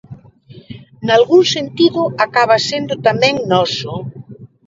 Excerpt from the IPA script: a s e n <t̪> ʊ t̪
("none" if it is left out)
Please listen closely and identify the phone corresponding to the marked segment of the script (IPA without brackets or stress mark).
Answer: d̪